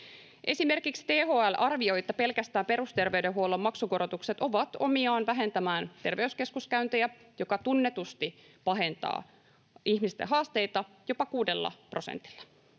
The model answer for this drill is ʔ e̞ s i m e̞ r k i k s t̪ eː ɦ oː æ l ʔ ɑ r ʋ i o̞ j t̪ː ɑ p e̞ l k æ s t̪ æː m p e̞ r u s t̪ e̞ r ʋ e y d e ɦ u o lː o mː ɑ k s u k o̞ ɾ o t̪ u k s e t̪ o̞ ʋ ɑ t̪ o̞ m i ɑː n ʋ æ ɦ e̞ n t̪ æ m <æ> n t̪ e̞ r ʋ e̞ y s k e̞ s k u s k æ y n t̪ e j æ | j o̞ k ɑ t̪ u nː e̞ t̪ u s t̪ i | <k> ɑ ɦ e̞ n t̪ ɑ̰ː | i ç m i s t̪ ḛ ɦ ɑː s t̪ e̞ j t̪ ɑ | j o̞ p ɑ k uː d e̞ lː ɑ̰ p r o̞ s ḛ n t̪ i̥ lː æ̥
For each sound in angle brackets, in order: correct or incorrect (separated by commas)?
incorrect, incorrect